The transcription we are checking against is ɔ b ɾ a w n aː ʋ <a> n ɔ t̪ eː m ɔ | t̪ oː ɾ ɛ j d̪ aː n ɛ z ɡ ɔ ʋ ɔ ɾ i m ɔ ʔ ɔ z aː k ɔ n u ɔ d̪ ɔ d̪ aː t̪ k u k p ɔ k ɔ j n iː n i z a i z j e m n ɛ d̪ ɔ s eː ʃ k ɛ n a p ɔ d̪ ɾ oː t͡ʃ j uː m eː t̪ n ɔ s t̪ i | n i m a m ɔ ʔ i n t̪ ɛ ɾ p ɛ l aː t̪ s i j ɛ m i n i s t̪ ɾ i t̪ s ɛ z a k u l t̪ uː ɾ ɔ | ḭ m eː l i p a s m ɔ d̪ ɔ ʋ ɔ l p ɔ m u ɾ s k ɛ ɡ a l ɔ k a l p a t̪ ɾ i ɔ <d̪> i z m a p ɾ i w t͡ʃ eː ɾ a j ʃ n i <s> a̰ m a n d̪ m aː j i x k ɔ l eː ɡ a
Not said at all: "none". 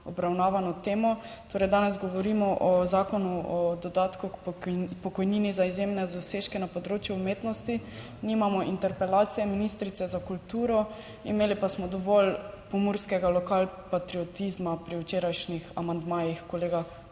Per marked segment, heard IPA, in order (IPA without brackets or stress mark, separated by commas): a, t̪, x